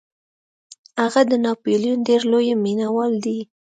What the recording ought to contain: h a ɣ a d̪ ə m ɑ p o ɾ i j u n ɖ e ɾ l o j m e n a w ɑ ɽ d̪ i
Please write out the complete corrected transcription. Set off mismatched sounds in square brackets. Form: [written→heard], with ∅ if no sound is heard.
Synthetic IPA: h a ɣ a d̪ ə [m→n] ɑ p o [ɾ→l] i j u n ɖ e ɾ l o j m [e→i] n a w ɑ [ɽ→l] d̪ i

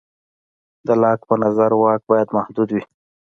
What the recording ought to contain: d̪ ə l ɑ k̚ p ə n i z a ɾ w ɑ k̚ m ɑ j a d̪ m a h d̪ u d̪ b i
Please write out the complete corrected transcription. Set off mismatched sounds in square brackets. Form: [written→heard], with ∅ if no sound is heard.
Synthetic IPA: d̪ ə l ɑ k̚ p ə n [i→a] z a ɾ w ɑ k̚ [m→b] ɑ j a d̪ m a h d̪ u d̪ [b→w] i

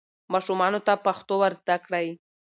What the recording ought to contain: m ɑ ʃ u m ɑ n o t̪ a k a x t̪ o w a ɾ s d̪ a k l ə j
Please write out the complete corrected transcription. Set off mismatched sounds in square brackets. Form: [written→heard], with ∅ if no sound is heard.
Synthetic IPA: m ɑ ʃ u m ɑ n o t̪ a [k→p] a x t̪ o w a ɾ [s→z] d̪ a k [l→ɽ] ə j

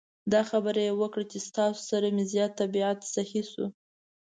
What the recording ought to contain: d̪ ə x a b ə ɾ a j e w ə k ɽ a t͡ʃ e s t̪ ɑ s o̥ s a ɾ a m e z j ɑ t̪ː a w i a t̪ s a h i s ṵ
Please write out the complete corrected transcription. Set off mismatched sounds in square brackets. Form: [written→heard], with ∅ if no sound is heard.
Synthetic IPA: d̪ [ə→ɑ] x a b ə ɾ a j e w ə k ɽ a t͡ʃ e s t̪ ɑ s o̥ s a ɾ a m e z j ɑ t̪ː a [w→b] i a t̪ s a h i s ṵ

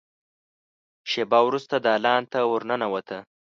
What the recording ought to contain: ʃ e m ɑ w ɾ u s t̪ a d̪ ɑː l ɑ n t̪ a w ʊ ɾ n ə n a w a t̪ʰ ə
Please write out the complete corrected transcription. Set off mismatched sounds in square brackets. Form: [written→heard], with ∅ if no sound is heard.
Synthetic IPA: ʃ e [m→b] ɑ w ɾ u s t̪ a d̪ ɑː l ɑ n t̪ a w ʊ ɾ n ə n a w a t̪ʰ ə

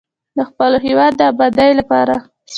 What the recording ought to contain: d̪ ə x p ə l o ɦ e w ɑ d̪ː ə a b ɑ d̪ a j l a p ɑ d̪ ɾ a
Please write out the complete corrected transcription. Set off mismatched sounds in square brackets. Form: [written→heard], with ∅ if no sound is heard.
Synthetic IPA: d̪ ə x p ə l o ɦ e w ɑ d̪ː ə a b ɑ d̪ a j l a p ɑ [d̪→∅] ɾ a

